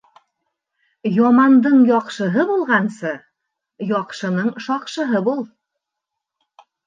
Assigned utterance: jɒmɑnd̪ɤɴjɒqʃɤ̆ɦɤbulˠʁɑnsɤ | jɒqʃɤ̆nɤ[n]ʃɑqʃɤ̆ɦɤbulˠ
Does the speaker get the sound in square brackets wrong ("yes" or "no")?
yes